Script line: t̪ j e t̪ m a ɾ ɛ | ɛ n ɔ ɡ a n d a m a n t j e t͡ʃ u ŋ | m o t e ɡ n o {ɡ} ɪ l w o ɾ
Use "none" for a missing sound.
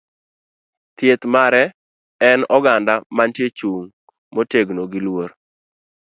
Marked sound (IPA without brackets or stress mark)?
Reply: ɡ